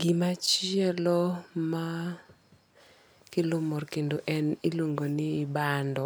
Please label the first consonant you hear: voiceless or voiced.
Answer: voiced